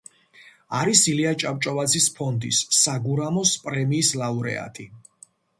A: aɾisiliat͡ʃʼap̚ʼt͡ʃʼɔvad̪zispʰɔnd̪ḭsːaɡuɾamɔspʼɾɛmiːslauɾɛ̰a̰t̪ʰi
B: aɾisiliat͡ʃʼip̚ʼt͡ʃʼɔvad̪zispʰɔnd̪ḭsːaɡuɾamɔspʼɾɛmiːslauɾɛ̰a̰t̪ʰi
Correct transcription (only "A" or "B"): A